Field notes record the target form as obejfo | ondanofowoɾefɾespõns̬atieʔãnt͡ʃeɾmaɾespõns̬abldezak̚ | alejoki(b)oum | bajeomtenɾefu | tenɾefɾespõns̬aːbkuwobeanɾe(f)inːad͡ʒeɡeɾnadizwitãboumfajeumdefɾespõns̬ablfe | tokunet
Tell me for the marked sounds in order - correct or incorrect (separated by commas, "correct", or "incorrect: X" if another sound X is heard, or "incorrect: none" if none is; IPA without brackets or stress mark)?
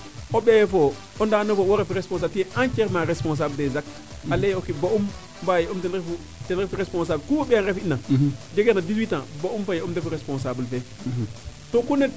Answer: correct, correct